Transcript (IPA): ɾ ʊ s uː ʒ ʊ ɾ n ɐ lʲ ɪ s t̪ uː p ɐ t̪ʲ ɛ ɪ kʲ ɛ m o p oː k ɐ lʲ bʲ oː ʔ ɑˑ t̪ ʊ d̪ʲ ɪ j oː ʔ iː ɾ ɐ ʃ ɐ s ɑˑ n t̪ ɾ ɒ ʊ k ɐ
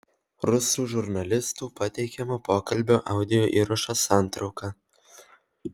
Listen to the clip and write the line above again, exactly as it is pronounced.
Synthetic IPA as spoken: ɾ ʊ s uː ʒ ʊ ɾ n ɐ lʲ ɪ s t̪ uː p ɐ t̪ʲ ɛ ɪ kʲ ɛ m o p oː k ɐ lʲ bʲ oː ʔ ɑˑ ʊ d̪ʲ ɪ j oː ʔ iː ɾ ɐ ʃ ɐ s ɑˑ n t̪ ɾ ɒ ʊ k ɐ

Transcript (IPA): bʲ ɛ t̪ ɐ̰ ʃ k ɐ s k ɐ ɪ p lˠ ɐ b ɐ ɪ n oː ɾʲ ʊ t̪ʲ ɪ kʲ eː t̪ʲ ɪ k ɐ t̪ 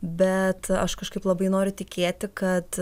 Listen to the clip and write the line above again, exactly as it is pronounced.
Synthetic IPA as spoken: bʲ ɛ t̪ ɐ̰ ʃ k ɐ ʃ k ɐ ɪ p lˠ ɐ b ɐ ɪ n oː ɾʲ ʊ t̪ʲ ɪ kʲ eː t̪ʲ ɪ k ɐ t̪

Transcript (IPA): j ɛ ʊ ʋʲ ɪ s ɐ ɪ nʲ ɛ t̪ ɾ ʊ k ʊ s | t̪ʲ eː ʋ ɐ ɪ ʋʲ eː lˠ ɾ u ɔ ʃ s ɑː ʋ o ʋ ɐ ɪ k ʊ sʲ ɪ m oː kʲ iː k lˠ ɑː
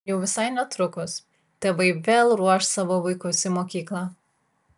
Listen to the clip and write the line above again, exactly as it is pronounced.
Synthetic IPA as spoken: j ɛ ʊ ʋʲ ɪ s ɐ ɪ nʲ ɛ t̪ ɾ ʊ k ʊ s | t̪ʲ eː ʋ ɐ ɪ ʋʲ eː lˠ ɾ u ɔ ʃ s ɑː ʋ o ʋ ɐ ɪ k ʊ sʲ ɪ m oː kʲ iː k lˠ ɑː

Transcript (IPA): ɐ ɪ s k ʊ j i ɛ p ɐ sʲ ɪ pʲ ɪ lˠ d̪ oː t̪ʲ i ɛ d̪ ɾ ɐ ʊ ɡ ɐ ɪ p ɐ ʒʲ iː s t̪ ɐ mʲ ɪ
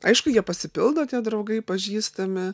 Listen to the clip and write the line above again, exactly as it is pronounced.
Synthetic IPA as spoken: ɐ ɪ ʃ k ʊ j i ɛ p ɐ sʲ ɪ pʲ ɪ lˠ d̪ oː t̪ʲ i ɛ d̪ ɾ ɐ ʊ ɡ ɐ ɪ p ɐ ʒʲ iː s t̪ ɐ mʲ ɪ

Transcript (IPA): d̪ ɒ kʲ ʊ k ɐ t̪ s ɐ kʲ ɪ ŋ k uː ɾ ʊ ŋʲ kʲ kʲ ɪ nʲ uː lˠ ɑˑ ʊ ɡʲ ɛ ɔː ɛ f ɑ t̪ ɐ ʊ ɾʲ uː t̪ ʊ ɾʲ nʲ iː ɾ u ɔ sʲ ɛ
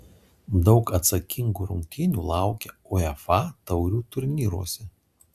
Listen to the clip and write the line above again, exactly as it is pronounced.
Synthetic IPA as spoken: d̪ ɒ ʊ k ɐ t̪ s ɐ kʲ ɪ ŋ ɡ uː ɾ ʊ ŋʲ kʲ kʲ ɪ nʲ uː lˠ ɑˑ ʊ kʲ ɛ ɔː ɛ f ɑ t̪ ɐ ʊ ɾʲ uː t̪ ʊ ɾʲ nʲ iː ɾ u ɔ sʲ ɛ

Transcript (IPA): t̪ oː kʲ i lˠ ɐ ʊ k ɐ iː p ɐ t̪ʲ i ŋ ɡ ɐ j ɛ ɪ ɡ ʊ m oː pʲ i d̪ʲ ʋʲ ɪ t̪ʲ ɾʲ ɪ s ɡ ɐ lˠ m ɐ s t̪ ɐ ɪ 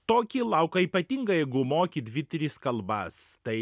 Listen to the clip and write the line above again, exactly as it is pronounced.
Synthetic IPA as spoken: t̪ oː kʲ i lˠ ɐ ʊ k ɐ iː p ɐ t̪ʲ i ŋ ɡ ɐ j ɛ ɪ ɡ ʊ m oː kʲ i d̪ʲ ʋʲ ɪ t̪ʲ ɾʲ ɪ s k ɐ lˠ b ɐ s t̪ ɐ ɪ

